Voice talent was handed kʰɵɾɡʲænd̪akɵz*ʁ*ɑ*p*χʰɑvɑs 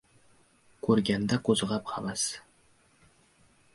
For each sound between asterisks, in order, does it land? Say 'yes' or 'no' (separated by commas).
yes, yes